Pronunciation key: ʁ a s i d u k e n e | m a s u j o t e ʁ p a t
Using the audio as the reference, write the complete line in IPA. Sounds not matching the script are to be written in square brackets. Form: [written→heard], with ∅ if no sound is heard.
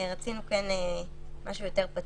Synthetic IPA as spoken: ʁ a [s→t͡s] i [d→n] u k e n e | m a [s→ʃ] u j o t e ʁ p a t